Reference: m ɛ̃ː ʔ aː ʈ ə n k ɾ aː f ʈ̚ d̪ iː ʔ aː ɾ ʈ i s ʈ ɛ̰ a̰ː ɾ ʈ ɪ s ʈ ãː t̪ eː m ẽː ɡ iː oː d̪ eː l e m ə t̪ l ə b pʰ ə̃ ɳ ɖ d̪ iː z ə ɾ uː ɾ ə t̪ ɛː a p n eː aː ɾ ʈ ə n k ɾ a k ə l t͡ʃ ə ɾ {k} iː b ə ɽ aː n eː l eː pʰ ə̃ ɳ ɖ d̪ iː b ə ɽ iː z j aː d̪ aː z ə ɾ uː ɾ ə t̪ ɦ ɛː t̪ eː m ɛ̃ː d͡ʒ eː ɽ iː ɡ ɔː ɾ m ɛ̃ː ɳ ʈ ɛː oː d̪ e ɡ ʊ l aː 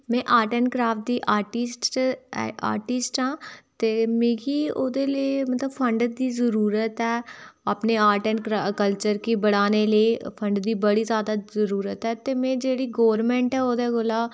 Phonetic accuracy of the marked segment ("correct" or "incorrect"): correct